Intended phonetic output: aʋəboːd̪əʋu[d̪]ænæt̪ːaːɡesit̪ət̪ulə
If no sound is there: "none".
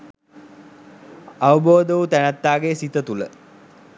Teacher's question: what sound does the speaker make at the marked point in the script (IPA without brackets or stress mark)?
t̪